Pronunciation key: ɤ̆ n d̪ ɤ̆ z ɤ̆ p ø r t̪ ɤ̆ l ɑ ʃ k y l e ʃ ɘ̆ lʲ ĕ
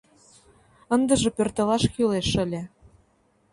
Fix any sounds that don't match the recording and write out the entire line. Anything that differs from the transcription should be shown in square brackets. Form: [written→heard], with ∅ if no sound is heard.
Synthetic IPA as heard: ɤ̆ n d̪ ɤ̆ [z→ʒ] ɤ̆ p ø r t̪ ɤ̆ l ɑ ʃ k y l e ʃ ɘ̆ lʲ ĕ